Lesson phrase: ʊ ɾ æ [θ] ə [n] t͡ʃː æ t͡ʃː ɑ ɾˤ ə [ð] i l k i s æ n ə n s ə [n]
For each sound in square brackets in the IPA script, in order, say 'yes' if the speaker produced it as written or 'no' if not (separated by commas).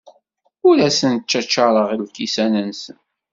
no, yes, no, yes